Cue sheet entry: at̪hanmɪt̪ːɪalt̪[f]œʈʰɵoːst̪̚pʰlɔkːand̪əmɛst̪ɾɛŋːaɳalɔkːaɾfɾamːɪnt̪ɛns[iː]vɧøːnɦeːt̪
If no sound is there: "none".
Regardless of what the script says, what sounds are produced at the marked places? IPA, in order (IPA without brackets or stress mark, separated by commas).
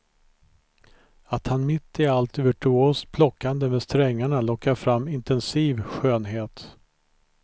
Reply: v, iː